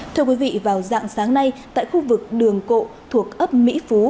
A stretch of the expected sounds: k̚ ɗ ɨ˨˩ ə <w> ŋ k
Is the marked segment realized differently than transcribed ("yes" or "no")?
yes